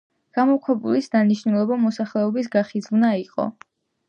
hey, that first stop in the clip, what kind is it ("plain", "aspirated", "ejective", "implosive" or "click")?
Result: plain